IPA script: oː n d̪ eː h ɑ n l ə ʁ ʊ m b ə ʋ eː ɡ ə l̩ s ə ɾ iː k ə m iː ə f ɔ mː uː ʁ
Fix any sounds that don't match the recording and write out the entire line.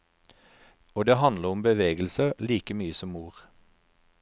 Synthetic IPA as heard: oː d̪ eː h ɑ n l ə ʁ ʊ m b ə ʋ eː ɡ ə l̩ s ə l iː k ə m yː ə s ɔ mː uː ʁ